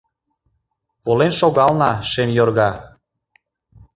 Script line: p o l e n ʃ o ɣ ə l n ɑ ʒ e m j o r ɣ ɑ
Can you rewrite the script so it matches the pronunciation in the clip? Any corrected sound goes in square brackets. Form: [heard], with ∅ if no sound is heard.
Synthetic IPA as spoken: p o l e n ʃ o ɣ [ɑ] l n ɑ [ʃ] e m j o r ɣ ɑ